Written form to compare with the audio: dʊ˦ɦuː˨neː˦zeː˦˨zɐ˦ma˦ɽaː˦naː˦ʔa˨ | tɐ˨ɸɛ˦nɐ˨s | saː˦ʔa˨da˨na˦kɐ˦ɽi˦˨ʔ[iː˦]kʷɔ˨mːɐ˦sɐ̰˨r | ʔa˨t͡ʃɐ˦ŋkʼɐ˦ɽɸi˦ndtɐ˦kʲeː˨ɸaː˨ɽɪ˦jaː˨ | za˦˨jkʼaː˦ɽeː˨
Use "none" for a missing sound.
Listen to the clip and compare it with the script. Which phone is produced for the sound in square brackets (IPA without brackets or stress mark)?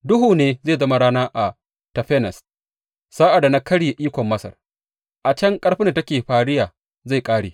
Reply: iː˦